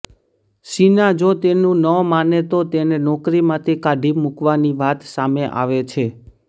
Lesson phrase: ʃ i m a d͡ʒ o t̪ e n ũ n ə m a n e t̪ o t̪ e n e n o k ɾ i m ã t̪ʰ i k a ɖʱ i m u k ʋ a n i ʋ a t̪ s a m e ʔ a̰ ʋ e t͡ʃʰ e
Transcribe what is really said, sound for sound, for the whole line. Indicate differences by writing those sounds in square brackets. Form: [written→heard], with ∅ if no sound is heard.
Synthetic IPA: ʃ i [m→n] a d͡ʒ o t̪ e n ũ n ə m a n e t̪ o t̪ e n e n [o→ɔ] k ɾ i m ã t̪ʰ i k a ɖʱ i m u k ʋ a n i ʋ a t̪ s a m e ʔ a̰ ʋ e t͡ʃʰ e